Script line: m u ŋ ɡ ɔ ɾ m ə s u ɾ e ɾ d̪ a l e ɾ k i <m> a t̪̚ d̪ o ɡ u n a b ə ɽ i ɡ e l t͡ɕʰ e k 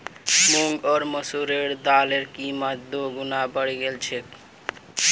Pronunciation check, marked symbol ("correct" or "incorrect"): correct